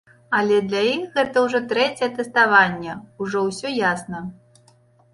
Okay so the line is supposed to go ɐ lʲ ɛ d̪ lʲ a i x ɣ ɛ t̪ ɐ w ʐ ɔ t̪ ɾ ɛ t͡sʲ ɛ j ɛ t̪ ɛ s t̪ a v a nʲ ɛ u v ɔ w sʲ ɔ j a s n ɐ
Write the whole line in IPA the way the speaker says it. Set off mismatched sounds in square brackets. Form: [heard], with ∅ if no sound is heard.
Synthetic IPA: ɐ lʲ ɛ d̪ lʲ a i x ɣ ɛ t̪ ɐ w ʐ ɔ t̪ ɾ ɛ t͡sʲ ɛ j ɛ t̪ ɛ s t̪ a v a [nʲː] ɛ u [ʐ] ɔ w sʲ ɔ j a s n ɐ